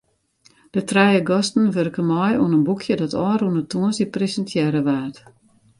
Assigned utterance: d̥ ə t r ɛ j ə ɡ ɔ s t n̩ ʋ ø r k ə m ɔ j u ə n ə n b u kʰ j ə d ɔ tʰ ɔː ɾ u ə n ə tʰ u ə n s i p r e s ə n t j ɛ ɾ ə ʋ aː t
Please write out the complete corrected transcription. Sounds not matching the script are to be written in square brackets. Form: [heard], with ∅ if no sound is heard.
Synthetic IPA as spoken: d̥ ə t r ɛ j ə ɡ ɔ s t n̩ ʋ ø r k ə m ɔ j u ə n ə n b u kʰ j ə d ɔ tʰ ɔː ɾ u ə n ə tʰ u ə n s i p r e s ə n t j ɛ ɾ ə ʋ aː t

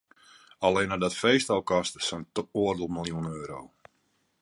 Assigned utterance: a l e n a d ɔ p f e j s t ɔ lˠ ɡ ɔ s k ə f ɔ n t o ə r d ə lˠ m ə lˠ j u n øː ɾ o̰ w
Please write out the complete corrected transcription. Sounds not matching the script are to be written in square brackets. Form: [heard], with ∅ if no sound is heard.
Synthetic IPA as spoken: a l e n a d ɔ [t] f e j s t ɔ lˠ [k] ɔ s [t] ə [s] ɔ n t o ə r d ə lˠ m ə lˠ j u n øː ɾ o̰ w

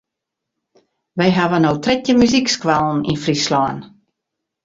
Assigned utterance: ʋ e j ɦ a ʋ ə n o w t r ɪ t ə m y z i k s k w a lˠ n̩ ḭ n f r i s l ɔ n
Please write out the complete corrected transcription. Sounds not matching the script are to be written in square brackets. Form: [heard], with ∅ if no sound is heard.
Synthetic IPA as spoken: ʋ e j ɦ a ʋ ə n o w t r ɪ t ə m y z i k s k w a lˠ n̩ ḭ n f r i s l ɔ n

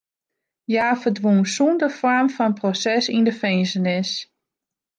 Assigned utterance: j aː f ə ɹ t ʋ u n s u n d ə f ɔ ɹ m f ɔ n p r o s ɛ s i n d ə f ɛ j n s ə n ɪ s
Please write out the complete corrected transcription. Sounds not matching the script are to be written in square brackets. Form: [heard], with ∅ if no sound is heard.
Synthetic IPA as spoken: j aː f ə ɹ [d] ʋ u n s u n d ə f ɔ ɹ m f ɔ n p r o s ɛ s i n d ə f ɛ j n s ə n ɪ s

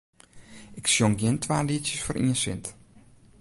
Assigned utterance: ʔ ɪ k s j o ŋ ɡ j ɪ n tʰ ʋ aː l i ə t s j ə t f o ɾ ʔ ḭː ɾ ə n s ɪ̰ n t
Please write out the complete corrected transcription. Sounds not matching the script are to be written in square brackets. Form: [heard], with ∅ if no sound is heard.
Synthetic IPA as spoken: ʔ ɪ k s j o ŋ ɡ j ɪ n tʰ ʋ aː l i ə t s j ə [s] f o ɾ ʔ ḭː [∅] ə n s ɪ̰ n t

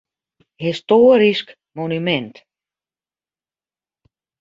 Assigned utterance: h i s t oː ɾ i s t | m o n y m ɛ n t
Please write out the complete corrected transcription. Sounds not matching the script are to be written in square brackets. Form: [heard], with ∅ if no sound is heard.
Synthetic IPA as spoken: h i s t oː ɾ i s [k] | m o n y m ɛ n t

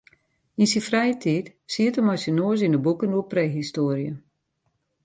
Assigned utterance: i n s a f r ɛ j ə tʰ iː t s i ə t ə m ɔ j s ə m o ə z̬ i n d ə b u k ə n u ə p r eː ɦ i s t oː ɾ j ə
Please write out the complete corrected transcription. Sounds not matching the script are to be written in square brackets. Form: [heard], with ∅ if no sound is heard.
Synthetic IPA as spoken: i n s [i] f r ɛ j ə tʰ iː t s i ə t ə m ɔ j s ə [n] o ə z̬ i n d ə b u k ə n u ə p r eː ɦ i s t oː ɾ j ə

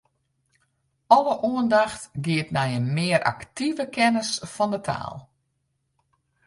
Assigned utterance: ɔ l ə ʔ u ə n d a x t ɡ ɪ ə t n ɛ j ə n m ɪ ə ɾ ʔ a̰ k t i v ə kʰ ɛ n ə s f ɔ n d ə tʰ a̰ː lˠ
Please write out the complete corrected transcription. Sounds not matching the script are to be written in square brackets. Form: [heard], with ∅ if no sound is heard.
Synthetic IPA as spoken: ɔ l ə ʔ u ə n d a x t ɡ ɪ ə t n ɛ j ə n m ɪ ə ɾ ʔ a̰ k t i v ə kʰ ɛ n ə s f ɔ n d ə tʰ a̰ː lˠ

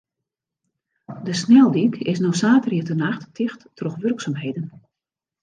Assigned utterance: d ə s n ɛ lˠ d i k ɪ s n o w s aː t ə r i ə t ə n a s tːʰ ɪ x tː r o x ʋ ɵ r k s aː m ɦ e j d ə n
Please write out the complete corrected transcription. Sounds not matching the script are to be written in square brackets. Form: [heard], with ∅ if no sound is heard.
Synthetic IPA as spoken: d ə s n ɛ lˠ d i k ɪ s n o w s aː t ə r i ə t ə n a [x] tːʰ ɪ x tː r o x ʋ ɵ r k s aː m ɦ e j d ə n

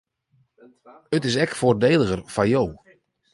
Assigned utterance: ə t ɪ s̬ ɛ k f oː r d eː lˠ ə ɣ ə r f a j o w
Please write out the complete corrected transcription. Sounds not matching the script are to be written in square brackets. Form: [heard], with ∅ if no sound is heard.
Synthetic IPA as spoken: ə t ɪ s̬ ɛ k f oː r d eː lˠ ə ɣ ə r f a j o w

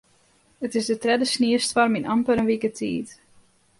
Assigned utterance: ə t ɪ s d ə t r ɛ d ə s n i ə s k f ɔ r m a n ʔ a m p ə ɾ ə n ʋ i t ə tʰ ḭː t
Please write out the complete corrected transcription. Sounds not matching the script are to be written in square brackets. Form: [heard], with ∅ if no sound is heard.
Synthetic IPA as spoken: ə t ɪ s d ə t r ɛ d ə s n i ə s [t] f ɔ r m [i] n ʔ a m p ə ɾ ə n ʋ i [k] ə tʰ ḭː t

